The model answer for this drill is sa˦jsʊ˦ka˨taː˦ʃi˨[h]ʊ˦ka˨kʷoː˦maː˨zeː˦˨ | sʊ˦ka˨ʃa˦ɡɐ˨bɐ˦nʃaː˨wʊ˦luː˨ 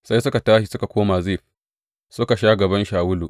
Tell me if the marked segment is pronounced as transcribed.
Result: no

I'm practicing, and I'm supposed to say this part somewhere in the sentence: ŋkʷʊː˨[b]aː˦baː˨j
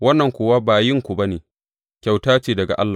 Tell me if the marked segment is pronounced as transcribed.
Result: no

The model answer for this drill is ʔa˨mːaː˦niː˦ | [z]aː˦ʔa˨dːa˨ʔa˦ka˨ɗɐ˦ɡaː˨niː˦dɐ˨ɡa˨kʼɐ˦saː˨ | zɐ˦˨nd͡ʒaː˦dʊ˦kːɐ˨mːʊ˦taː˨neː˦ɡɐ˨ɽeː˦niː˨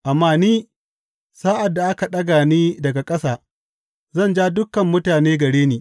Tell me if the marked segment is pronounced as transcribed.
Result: no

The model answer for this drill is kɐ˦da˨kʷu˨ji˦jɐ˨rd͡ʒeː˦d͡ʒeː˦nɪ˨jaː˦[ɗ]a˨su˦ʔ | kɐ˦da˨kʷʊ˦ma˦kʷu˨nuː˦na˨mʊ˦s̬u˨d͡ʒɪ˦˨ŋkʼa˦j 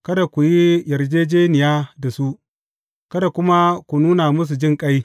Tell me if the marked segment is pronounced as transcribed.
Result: no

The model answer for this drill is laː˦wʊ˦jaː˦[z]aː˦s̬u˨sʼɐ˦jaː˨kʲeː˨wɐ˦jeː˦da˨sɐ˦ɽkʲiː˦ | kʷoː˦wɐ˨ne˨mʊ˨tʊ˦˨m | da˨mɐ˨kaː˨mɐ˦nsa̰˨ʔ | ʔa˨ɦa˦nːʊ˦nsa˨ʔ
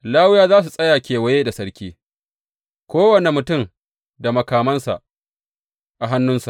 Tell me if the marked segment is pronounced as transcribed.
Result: yes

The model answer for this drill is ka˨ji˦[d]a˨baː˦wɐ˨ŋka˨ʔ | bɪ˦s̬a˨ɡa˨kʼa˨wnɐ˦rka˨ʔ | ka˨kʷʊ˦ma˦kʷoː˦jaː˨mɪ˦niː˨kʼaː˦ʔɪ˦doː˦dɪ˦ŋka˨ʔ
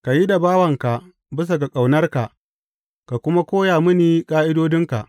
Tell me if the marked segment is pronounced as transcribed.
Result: yes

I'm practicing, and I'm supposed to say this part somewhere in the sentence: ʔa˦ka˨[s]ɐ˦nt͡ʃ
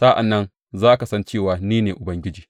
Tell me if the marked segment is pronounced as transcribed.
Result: yes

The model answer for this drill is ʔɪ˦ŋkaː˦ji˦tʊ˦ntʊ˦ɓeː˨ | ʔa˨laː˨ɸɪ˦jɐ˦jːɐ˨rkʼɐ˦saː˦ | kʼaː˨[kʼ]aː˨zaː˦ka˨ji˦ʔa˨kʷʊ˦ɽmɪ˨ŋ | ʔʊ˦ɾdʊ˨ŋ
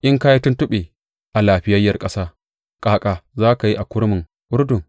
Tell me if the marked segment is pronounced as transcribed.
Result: yes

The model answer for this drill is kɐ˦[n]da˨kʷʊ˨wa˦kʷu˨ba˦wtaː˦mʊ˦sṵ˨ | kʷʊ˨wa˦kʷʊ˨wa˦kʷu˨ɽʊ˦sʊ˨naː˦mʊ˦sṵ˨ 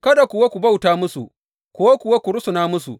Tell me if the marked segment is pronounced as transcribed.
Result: no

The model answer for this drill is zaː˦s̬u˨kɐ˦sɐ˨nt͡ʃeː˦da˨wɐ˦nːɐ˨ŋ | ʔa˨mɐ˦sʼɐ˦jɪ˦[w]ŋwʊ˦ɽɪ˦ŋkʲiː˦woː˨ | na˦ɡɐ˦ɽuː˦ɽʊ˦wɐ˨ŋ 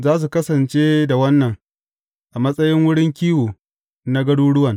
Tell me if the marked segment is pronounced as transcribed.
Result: no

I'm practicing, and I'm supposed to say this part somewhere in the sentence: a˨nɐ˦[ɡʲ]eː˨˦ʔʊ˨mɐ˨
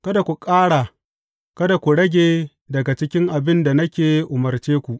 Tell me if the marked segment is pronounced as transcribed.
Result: no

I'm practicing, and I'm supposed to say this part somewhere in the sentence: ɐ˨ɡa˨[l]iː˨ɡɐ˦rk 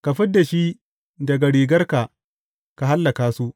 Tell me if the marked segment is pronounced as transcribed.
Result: no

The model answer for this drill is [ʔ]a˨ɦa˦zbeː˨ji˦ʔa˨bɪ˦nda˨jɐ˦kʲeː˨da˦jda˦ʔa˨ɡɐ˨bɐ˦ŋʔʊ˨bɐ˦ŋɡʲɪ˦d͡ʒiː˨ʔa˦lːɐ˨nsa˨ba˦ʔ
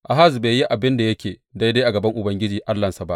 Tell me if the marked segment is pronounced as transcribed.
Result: yes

